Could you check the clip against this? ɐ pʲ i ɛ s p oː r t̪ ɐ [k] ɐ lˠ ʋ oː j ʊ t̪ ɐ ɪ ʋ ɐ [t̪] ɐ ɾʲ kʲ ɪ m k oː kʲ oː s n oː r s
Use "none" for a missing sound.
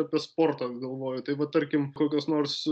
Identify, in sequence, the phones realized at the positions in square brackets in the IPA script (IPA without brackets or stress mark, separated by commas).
ɡ, t̪